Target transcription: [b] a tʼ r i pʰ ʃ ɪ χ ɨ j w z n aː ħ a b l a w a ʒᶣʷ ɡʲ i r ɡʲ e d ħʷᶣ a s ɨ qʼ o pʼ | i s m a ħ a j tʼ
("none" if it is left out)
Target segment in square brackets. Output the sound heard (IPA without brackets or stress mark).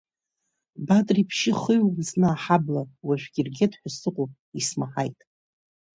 b